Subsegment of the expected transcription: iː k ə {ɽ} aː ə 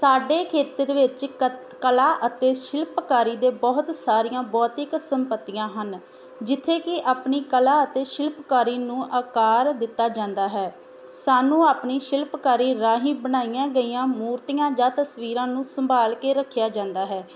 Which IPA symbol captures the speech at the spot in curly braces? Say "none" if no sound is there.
l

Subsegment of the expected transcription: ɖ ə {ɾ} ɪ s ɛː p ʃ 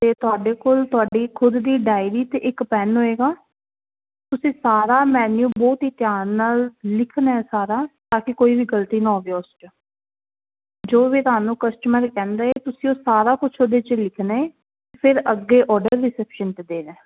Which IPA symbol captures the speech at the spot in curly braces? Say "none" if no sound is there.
ɾː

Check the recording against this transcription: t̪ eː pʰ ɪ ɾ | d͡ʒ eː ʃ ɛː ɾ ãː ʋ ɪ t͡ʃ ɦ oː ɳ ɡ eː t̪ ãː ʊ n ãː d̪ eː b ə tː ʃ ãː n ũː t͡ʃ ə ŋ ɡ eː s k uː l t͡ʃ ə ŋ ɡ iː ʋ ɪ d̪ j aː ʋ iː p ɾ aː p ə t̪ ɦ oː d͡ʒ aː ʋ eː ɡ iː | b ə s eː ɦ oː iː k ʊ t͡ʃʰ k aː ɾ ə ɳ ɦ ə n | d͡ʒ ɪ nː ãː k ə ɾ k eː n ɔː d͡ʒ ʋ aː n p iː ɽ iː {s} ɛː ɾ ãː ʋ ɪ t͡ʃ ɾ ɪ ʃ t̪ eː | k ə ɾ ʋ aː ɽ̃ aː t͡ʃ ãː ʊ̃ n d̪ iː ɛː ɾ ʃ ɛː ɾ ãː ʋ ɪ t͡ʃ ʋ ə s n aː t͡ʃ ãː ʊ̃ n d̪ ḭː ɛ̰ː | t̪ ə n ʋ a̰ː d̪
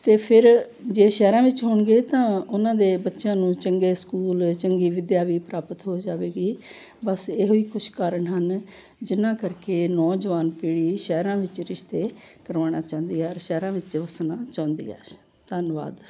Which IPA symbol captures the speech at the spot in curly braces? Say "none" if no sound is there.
ʃ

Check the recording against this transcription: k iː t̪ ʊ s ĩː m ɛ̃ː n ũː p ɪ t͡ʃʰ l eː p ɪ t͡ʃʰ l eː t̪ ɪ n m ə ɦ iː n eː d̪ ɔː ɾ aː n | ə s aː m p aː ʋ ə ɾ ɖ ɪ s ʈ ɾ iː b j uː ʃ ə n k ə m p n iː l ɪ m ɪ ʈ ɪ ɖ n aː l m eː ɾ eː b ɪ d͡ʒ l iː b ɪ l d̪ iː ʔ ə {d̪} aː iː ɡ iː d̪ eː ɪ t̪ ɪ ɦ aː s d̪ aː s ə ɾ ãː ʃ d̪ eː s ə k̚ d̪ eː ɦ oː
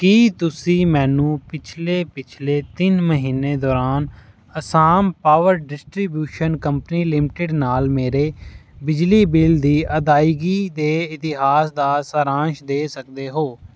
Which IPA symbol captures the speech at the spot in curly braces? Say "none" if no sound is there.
d̪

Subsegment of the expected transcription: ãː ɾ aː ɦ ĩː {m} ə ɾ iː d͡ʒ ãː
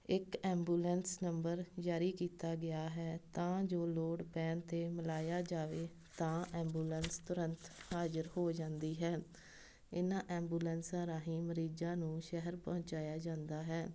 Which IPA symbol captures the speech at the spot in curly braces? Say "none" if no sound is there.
m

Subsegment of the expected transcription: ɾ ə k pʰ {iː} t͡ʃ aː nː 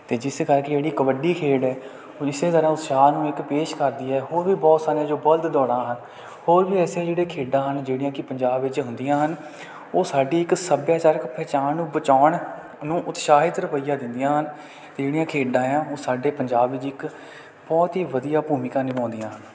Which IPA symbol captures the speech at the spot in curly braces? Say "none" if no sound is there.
ɛː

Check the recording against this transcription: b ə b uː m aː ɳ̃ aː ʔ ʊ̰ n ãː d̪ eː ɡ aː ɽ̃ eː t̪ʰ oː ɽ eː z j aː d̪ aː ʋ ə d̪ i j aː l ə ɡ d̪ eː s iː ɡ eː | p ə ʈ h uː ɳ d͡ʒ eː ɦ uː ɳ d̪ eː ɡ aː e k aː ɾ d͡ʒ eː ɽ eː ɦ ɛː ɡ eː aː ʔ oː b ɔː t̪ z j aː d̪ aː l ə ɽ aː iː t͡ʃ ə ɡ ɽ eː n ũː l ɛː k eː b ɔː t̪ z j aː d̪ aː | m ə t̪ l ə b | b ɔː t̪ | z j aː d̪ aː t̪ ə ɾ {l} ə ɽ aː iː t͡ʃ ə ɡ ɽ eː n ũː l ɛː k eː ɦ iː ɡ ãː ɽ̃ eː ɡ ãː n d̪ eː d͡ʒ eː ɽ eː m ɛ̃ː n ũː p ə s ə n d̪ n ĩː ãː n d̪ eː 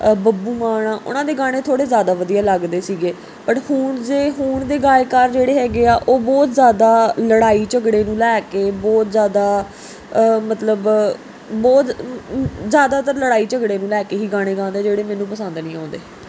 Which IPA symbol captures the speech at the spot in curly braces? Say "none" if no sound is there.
l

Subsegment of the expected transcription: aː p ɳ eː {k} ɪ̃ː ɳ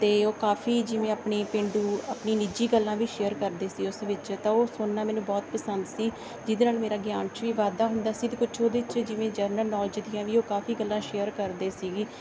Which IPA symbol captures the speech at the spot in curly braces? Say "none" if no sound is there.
p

